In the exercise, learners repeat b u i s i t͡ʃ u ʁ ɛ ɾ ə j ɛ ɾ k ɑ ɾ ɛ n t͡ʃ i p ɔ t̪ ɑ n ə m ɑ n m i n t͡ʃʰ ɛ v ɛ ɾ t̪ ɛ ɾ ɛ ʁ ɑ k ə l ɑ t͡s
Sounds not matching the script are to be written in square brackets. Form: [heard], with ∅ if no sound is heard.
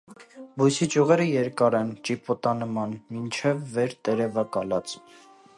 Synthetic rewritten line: b u [j] s i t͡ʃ u ʁ ɛ ɾ ə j ɛ ɾ k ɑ ɾ ɛ n t͡ʃ i p ɔ t̪ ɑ n ə m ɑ n m i n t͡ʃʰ ɛ [vː] ɛ ɾ t̪ ɛ ɾ ɛ [v] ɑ k [ɑ] l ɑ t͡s